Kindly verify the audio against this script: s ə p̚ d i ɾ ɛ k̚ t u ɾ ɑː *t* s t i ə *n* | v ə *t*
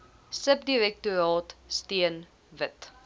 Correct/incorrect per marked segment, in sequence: correct, correct, correct

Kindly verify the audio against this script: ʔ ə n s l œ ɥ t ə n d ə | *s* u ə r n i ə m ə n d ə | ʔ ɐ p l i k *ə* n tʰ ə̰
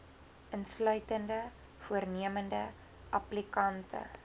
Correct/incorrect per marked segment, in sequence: incorrect: f, incorrect: ɐ

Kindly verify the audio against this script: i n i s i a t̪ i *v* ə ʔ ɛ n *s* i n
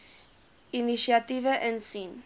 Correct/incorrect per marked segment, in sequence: correct, correct

